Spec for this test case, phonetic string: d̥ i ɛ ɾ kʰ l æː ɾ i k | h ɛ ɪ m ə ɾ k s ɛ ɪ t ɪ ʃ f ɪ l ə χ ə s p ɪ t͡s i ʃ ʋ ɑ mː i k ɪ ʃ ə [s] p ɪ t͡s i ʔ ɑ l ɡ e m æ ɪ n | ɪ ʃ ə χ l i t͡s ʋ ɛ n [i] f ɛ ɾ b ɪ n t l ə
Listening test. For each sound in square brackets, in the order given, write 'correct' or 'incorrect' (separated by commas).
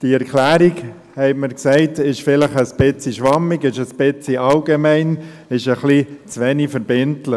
correct, correct